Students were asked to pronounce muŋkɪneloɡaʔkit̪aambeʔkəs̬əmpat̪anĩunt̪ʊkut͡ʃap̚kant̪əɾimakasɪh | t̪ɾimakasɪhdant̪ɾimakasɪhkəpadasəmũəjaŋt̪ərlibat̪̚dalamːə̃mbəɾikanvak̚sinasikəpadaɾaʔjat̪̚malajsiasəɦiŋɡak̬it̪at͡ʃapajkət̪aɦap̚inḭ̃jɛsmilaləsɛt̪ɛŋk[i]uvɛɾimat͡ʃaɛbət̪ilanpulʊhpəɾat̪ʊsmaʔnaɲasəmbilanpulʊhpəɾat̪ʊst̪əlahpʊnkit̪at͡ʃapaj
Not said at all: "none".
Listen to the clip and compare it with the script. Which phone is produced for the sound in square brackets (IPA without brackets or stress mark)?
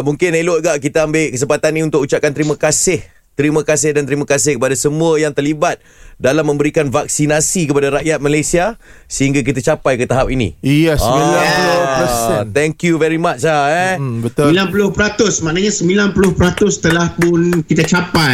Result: j